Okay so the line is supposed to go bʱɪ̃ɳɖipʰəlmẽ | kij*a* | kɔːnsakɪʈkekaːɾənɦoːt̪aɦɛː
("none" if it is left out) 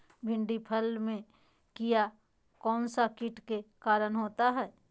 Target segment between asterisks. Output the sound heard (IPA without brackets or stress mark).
a